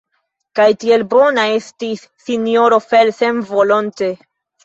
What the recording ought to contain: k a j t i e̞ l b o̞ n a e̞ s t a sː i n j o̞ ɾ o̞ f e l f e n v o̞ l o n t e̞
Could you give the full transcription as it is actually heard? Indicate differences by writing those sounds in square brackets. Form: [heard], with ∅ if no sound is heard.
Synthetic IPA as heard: k a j t i e̞ l b o̞ n a e̞ s t [i] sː i n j o̞ ɾ o̞ f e l [s] e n v o̞ l o n t e̞